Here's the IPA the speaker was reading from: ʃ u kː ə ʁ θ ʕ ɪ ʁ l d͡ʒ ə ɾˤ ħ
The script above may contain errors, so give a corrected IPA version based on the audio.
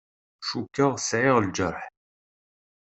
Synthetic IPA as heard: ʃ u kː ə ʁ s ʕ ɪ ʁ l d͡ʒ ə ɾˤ ħ